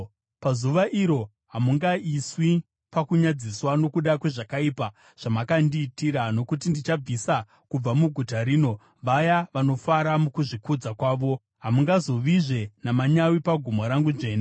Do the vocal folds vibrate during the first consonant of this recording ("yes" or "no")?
no